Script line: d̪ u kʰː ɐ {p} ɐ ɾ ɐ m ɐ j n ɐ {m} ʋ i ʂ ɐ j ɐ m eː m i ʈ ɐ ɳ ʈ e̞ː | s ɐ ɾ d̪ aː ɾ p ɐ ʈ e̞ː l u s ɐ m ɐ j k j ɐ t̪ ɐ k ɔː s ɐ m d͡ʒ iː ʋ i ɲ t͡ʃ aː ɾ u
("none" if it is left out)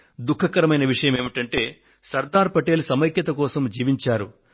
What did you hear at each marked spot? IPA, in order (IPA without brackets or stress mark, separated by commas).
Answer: k, none